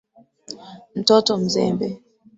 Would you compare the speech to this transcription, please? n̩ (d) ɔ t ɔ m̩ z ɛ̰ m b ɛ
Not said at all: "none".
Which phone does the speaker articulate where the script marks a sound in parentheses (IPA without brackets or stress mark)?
t